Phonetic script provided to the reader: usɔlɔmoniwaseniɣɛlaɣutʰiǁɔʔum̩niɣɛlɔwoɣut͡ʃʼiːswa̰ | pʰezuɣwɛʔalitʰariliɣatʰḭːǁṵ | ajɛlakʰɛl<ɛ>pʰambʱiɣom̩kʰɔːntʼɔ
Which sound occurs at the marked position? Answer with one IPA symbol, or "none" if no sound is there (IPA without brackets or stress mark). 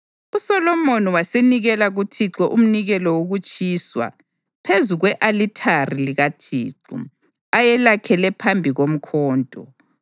ɛ